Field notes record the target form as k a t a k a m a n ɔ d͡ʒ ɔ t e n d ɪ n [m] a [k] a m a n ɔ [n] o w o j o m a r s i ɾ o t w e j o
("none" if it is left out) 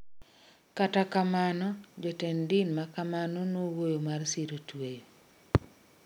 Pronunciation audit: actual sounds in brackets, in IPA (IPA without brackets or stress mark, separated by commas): m, k, n